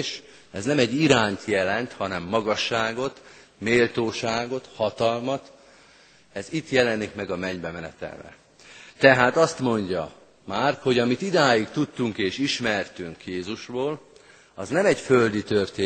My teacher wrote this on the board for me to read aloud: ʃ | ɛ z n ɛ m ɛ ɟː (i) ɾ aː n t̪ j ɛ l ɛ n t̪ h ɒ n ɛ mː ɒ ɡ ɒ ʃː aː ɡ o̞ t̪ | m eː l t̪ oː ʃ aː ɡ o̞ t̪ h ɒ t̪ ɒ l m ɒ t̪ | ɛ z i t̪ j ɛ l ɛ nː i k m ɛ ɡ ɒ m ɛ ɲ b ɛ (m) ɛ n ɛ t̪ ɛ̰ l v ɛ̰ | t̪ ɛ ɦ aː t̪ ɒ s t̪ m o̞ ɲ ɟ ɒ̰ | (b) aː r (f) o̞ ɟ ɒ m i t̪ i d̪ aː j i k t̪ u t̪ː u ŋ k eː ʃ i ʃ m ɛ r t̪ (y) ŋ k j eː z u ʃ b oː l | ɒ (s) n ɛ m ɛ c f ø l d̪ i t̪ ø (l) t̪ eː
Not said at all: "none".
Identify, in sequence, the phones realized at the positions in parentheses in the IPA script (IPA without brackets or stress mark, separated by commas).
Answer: i, m, m, h, y, z, r